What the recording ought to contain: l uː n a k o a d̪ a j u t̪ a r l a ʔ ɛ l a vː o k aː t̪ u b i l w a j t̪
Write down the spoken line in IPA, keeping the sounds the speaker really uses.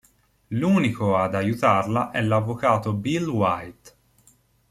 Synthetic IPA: l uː n i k o a d̪ a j u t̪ a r l a ʔ ɛ l a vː o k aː t̪ o b i l w a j t̪